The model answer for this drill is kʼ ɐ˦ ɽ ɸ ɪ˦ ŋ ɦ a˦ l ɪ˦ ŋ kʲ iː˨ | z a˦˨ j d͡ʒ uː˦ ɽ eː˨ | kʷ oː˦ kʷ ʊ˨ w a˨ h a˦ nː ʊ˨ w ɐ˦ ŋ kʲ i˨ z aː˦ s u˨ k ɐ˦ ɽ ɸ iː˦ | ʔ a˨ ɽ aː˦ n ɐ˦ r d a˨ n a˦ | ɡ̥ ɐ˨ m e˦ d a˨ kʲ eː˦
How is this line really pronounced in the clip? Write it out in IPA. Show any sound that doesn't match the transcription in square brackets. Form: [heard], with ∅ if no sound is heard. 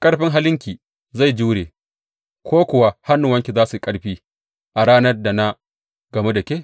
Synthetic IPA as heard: kʼ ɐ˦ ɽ ɸ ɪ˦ ŋ ɦ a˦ l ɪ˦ ŋ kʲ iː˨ | z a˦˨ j d͡ʒ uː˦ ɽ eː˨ | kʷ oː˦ kʷ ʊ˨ w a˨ h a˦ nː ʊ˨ w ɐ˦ ŋ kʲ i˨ z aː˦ s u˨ [kʼ] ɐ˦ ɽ ɸ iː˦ | ʔ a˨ ɽ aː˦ n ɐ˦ r d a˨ n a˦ | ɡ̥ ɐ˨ m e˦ d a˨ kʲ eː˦